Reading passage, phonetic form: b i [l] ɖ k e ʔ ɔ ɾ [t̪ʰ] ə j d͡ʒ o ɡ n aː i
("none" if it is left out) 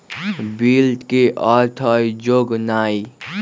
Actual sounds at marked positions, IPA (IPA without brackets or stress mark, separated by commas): l, t̪ʰ